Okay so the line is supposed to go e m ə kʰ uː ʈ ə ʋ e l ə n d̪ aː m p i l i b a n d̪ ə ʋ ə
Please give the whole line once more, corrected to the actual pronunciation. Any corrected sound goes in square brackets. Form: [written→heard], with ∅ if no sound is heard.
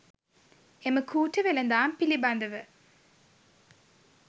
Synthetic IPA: e m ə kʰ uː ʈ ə ʋ e l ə n d̪ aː m p i l i b a n d̪ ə ʋ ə